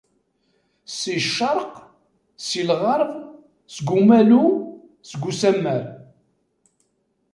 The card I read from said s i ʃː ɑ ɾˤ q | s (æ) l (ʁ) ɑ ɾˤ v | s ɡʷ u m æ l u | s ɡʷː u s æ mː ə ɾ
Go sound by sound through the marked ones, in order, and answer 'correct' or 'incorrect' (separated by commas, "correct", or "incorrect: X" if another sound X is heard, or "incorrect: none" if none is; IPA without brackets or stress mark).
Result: incorrect: i, correct